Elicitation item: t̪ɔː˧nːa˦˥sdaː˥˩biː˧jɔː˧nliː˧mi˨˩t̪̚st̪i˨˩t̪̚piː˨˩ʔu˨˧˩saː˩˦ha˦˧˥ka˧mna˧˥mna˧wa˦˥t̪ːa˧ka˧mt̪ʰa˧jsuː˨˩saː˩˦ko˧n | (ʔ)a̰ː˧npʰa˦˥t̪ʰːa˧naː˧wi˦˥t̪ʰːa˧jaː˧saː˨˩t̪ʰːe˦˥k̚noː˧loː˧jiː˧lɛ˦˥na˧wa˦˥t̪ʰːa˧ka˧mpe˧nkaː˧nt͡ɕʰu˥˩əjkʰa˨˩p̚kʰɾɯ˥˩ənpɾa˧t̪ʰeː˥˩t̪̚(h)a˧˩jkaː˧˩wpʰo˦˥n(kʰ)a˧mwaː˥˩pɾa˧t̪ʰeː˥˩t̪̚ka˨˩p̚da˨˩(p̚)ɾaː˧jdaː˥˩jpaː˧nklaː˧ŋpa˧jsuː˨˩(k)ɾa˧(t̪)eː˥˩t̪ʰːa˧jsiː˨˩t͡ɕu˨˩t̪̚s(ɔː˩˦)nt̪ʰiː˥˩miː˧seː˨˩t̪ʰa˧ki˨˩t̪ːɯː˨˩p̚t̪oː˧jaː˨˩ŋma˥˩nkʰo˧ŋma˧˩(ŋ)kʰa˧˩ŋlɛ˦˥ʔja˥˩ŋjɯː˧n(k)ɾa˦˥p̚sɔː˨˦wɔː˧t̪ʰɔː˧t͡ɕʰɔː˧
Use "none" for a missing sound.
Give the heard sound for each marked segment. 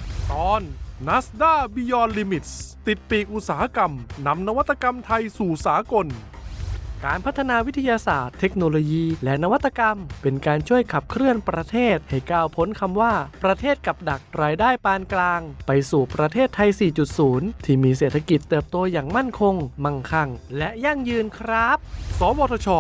k, h, kʰ, k̚, p, t̪ʰ, uː˩˦, ŋ, kʰ

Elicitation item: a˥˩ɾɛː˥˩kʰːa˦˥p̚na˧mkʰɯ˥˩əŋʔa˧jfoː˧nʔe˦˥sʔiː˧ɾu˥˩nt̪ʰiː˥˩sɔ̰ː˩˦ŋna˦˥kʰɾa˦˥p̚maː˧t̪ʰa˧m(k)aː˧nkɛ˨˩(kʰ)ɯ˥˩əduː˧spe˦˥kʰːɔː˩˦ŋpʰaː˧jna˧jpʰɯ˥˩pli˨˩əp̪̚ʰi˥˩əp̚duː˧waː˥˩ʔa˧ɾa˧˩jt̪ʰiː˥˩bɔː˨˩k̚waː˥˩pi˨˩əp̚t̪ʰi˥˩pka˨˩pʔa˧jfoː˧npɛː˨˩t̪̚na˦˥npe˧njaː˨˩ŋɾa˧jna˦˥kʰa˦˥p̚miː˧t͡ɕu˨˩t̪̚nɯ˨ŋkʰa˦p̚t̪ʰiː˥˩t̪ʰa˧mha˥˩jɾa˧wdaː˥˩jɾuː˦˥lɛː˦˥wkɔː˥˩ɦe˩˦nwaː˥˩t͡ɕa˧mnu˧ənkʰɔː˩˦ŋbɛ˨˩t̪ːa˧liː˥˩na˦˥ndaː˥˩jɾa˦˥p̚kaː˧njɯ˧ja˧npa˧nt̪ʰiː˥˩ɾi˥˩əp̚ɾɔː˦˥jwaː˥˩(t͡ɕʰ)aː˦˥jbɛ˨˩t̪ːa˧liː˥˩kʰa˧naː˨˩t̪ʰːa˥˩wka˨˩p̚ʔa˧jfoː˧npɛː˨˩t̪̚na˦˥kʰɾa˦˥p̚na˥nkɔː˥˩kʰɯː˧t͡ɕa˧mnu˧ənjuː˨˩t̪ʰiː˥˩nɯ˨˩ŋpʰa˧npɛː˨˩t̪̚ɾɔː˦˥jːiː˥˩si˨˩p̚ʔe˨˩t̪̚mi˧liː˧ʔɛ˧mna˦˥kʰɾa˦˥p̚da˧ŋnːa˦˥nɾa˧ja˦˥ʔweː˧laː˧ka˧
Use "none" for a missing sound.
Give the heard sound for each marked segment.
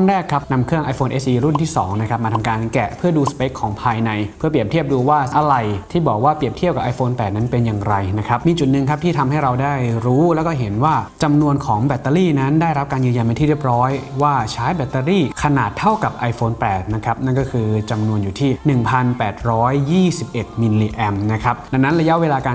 k, pʰ, t͡ɕʰ

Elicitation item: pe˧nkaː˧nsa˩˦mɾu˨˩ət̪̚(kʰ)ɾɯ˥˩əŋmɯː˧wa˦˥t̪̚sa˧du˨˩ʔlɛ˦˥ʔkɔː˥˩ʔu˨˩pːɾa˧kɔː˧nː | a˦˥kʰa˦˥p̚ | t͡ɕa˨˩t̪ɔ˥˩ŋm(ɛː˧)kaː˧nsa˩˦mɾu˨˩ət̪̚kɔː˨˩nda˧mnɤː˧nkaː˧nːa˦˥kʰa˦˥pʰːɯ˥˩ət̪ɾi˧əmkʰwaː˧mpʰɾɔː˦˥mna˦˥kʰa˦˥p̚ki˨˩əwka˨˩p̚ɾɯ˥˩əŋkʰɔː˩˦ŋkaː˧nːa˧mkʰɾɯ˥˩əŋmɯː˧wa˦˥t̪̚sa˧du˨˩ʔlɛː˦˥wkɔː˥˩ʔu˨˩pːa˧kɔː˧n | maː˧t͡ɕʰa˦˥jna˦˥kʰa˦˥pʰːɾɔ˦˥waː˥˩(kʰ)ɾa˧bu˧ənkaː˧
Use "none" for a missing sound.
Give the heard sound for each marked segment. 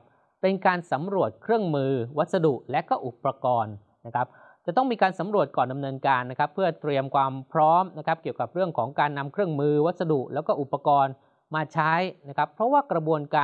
kʰ, iː˧, k

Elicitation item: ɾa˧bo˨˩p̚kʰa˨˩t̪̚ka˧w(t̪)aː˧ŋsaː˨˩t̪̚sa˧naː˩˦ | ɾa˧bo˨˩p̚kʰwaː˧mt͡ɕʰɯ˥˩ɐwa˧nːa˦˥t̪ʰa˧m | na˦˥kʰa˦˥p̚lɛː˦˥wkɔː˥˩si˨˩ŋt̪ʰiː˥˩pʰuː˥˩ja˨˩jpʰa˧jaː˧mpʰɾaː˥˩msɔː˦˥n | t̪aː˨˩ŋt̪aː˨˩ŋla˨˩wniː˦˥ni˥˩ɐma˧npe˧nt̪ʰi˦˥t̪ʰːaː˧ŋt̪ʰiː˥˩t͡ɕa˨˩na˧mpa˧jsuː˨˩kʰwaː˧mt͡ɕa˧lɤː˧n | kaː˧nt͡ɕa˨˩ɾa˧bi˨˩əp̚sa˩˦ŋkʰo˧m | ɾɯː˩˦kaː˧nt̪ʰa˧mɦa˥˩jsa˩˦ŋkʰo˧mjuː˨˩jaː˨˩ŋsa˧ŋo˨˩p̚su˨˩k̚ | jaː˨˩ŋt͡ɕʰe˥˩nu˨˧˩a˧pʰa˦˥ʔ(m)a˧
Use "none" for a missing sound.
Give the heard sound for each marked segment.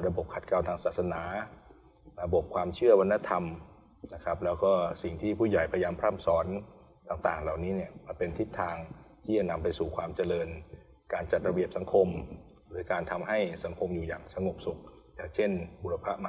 t̪ʰ, m

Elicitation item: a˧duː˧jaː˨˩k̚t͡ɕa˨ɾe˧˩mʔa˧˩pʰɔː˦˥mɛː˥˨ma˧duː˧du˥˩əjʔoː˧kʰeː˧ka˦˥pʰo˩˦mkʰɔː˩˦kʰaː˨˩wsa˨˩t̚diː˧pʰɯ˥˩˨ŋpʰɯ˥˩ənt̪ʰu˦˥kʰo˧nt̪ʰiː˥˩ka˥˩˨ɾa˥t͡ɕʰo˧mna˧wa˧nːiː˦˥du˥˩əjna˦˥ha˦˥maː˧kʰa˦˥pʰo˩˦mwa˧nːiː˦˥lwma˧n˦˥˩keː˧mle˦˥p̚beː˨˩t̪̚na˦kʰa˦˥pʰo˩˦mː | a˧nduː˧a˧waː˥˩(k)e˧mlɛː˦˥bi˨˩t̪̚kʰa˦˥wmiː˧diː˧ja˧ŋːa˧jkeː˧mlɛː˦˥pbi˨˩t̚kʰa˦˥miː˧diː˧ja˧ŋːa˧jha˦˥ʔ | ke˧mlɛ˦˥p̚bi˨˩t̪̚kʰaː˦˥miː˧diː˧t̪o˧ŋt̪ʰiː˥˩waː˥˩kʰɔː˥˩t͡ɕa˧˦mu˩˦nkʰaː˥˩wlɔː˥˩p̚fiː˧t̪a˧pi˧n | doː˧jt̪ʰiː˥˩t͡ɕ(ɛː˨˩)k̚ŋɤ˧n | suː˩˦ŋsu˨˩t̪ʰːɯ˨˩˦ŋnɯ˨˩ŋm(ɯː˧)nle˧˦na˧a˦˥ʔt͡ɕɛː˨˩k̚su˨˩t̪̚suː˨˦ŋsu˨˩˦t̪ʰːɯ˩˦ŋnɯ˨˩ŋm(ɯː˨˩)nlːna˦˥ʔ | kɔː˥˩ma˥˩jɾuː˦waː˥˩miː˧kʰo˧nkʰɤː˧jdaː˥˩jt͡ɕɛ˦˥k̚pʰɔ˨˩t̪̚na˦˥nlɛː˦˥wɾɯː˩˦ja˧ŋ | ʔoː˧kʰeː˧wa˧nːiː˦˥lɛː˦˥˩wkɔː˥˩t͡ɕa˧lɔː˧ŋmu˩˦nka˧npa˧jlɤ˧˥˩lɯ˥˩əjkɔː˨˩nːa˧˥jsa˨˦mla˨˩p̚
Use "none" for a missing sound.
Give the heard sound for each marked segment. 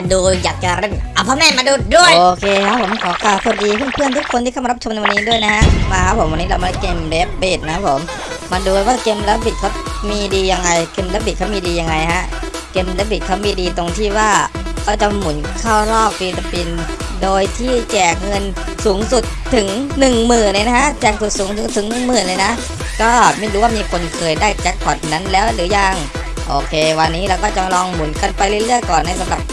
k, ɛː˨˩, ɯː˨˩, ɯː˨˩

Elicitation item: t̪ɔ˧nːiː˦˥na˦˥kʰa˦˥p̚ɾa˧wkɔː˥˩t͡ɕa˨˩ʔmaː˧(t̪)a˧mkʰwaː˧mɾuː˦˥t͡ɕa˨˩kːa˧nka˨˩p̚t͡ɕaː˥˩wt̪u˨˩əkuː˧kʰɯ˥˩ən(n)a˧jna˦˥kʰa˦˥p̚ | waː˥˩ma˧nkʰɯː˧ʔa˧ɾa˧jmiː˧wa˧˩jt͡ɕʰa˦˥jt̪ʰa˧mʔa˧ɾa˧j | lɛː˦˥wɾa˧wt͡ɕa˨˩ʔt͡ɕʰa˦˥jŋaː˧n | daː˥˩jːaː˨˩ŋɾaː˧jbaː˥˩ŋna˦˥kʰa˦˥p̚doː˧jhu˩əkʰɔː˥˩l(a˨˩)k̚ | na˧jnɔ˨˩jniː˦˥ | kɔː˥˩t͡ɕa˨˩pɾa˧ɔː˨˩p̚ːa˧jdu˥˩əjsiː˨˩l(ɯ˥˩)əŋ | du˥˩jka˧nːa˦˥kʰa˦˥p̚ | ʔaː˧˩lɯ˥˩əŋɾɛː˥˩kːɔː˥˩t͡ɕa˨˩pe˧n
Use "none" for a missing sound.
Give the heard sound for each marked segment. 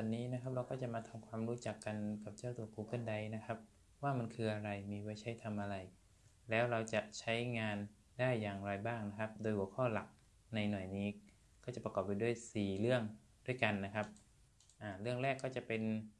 t̪ʰ, d, a˨˩, ɯ˥˩

